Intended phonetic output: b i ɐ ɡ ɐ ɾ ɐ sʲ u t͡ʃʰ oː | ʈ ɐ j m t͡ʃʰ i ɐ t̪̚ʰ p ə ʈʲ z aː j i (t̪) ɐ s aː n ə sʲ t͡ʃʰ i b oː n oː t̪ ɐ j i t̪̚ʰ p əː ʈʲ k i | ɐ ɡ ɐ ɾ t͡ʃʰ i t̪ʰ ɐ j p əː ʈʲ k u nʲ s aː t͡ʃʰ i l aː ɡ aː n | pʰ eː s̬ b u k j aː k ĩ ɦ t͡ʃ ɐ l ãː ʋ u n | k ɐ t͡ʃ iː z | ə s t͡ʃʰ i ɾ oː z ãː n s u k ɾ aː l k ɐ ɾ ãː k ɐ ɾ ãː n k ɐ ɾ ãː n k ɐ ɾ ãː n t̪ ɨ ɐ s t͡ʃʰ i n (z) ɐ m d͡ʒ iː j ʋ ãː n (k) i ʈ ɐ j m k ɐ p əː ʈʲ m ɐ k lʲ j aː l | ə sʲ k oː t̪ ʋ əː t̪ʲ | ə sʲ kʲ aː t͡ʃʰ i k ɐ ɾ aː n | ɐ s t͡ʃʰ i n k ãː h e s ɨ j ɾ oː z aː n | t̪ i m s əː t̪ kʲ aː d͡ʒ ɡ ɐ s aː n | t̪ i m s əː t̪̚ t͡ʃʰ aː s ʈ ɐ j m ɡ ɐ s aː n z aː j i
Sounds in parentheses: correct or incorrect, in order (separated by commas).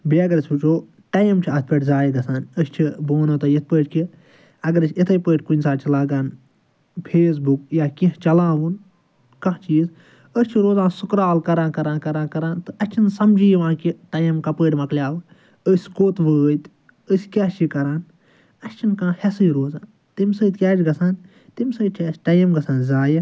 incorrect, incorrect, correct